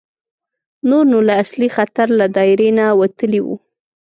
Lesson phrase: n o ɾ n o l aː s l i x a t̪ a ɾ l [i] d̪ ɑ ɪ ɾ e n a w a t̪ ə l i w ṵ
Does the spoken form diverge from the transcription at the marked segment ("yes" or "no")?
yes